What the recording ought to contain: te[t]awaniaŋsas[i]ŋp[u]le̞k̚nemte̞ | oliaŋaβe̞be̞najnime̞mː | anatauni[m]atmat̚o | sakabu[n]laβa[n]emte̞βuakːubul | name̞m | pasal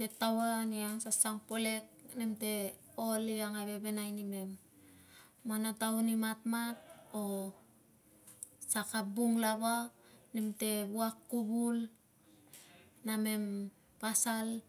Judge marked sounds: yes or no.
yes, no, no, yes, no, yes

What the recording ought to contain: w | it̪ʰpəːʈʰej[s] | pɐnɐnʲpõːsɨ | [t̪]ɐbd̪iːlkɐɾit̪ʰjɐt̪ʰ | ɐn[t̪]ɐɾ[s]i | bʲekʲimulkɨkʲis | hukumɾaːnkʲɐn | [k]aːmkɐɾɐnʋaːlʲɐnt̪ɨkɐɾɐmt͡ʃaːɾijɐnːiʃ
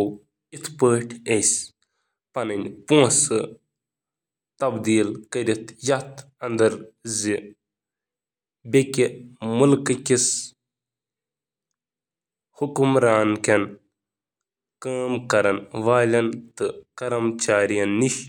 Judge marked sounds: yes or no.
yes, yes, no, no, yes

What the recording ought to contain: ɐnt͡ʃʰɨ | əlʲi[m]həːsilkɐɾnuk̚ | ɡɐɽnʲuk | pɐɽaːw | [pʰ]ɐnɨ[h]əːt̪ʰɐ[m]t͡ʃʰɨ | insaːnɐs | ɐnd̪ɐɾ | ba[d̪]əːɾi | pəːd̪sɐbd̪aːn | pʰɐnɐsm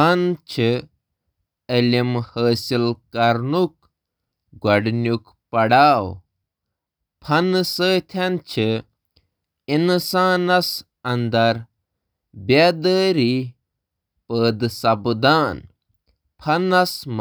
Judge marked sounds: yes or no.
yes, yes, no, no, yes

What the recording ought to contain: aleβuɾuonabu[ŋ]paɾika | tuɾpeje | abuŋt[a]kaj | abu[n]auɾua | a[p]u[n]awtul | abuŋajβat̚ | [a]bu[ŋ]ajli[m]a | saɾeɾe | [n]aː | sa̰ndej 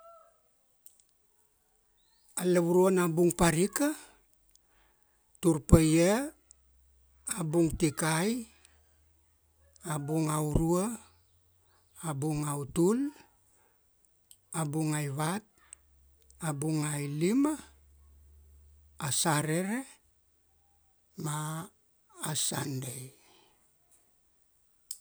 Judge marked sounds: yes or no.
yes, no, no, no, no, yes, yes, yes, no

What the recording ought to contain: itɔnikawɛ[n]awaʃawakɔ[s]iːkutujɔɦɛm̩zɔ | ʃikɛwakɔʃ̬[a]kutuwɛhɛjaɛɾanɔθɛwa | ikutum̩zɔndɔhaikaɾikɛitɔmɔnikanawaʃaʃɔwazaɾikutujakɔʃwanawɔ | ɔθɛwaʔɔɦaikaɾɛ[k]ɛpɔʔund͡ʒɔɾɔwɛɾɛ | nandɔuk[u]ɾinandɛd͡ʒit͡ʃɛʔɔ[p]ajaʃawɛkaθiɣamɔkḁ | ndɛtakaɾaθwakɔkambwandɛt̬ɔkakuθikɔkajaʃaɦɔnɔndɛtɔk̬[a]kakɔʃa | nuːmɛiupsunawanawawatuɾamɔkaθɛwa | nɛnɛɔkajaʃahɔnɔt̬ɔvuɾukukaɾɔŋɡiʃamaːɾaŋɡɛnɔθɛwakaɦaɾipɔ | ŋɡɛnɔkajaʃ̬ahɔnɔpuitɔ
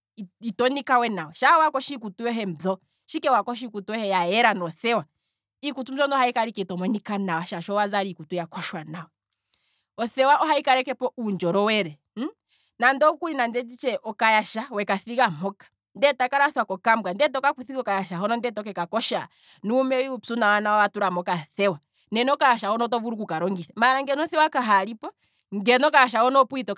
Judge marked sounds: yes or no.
yes, no, no, yes, yes, no, no

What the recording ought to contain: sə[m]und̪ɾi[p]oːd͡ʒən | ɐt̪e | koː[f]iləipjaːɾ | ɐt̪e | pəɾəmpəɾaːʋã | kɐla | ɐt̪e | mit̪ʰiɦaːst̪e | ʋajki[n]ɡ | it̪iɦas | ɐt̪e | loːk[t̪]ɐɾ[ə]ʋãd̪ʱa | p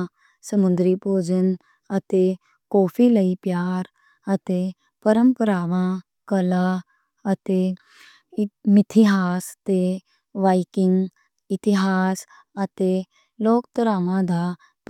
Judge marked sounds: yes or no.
yes, yes, yes, no, yes, no

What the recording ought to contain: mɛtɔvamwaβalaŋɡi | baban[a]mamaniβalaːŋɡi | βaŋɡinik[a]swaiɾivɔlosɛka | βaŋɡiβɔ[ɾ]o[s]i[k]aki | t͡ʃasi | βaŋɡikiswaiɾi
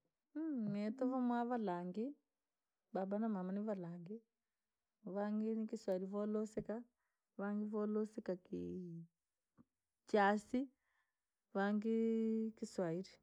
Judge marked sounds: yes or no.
yes, no, no, yes, yes

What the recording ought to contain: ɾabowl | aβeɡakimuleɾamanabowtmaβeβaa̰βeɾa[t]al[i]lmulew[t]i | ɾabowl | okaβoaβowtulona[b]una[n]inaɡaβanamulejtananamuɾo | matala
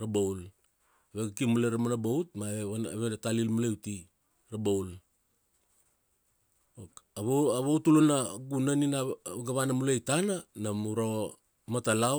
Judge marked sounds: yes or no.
yes, yes, yes, no, yes

